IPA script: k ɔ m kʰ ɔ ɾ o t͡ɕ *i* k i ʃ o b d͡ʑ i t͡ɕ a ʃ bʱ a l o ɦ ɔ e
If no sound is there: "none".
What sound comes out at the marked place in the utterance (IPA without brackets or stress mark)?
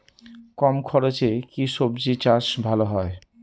e